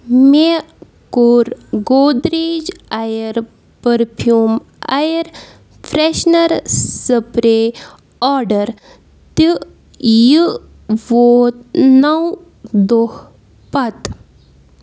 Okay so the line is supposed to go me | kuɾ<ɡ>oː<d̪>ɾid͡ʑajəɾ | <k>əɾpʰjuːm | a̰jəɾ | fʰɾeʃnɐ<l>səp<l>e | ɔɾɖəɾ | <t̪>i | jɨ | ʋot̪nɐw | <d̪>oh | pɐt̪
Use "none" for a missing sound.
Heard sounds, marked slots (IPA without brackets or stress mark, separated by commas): ɡ, d̪, p, ɾ, ɾ, t̪, d̪